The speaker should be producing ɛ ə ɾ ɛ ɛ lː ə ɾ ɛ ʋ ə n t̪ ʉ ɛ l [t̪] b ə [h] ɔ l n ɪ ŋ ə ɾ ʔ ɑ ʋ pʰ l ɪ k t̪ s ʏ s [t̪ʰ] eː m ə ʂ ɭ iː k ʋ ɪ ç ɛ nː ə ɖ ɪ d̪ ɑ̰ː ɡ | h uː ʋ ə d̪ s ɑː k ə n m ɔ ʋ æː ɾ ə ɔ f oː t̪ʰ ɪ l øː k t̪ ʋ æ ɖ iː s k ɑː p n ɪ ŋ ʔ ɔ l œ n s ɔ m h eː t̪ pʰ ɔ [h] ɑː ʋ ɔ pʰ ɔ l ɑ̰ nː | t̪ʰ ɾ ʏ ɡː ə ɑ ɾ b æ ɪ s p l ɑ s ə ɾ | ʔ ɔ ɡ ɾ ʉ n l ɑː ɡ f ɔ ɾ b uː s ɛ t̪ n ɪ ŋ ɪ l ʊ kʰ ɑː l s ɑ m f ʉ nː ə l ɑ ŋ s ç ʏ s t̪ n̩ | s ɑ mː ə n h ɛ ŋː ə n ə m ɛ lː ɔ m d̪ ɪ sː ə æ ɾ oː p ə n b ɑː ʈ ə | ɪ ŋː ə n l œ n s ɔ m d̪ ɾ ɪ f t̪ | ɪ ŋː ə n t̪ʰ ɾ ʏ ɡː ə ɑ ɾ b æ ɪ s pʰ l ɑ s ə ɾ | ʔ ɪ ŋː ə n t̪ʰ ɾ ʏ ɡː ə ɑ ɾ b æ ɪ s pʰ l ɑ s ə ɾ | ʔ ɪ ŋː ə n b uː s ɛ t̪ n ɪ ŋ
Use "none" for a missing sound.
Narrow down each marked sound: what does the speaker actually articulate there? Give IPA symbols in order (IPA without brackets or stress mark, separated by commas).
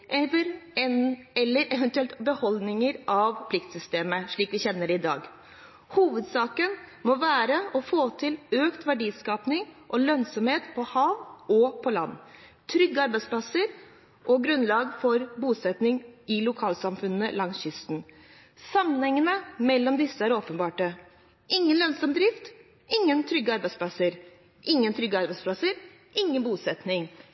t̪, h, t̪, h